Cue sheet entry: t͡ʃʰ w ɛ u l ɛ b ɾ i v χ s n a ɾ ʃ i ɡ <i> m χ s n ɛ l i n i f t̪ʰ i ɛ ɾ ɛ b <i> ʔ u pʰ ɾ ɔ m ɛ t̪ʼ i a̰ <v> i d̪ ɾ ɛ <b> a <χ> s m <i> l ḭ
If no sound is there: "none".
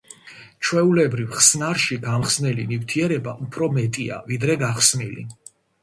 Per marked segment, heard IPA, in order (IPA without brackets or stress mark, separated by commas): a, a, v, ɡ, χ, i